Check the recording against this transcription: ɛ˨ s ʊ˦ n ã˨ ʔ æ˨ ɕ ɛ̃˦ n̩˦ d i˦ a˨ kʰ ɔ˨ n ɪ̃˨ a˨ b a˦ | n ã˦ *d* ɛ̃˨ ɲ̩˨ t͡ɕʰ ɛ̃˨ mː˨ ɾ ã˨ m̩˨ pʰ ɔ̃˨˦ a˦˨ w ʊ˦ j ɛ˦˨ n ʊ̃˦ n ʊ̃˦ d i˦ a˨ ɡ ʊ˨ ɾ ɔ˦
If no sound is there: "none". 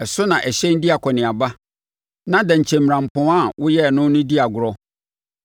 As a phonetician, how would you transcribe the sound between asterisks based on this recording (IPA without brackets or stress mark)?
d